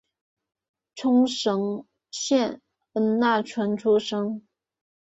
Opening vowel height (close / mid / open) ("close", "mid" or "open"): close